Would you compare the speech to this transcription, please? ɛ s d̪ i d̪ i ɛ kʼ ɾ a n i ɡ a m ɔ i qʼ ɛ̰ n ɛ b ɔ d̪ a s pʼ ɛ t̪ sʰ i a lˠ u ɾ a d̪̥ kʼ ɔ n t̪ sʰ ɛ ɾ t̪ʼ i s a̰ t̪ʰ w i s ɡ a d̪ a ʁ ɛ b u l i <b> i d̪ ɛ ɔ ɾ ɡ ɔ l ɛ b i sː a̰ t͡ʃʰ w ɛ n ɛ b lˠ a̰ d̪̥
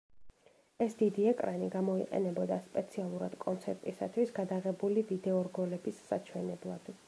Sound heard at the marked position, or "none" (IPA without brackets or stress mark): v